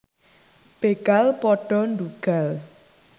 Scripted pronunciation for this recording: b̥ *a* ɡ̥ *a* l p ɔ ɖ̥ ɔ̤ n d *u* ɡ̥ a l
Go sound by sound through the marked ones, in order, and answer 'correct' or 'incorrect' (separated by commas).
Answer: incorrect, correct, correct